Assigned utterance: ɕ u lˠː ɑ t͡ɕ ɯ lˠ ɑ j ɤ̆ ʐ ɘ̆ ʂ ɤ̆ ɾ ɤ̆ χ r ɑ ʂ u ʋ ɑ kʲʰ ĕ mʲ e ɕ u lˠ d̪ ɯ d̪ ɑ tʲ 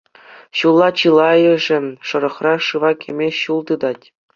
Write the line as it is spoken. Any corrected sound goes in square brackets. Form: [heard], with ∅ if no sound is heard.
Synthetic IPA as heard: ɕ u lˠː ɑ t͡ɕ ɯ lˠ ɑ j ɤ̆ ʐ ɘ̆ ʂ ɤ̆ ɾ ɤ̆ χ r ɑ ʂ [ɯ] ʋ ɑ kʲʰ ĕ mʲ e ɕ u lˠ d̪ ɯ d̪ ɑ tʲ